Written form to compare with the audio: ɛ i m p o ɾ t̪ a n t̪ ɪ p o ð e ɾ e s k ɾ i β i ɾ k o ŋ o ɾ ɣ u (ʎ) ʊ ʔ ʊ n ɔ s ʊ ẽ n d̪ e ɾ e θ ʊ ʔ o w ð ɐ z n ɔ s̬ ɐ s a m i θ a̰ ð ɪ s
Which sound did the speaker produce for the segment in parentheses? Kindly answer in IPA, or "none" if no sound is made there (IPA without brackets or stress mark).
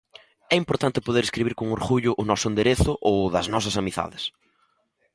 ʎ